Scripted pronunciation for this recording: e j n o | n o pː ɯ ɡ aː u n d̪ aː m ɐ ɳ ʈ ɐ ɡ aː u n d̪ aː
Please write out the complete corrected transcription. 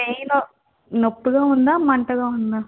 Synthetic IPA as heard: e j n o | n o pː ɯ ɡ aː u n d̪ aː m ɐ ɳ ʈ ɐ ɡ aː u n d̪ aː